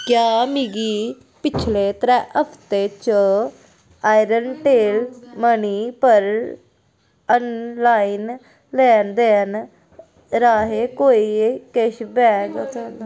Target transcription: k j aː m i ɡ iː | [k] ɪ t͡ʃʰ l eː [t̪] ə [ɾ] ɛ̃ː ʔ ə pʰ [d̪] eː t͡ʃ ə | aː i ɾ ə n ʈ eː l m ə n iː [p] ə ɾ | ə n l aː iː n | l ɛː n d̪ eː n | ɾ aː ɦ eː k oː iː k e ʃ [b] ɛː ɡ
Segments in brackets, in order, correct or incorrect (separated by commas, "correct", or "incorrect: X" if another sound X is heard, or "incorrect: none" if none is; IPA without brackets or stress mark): incorrect: p, correct, correct, incorrect: t̪, correct, correct